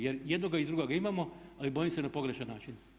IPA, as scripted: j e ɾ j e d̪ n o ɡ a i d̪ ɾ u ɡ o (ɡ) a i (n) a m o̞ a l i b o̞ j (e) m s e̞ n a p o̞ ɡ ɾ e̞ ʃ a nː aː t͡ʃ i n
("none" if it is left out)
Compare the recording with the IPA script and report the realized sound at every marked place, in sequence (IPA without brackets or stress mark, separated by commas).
ɡ, m, i